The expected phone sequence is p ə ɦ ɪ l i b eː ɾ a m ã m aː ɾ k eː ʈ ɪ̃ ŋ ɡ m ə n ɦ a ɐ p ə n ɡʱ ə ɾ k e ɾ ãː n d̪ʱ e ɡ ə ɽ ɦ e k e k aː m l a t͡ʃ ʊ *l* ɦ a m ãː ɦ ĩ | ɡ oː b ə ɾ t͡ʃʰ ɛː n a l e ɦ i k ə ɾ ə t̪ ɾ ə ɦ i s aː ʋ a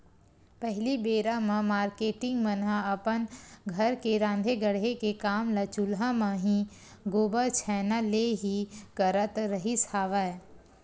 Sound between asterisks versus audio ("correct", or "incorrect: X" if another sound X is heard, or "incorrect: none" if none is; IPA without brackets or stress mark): correct